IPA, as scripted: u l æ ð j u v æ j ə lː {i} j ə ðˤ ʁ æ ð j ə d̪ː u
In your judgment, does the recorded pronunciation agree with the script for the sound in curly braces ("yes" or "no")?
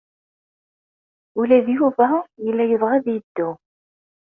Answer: no